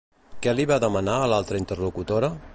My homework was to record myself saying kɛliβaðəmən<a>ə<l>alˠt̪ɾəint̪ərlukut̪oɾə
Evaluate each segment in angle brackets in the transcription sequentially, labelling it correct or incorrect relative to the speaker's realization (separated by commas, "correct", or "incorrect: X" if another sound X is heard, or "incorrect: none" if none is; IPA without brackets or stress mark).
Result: correct, correct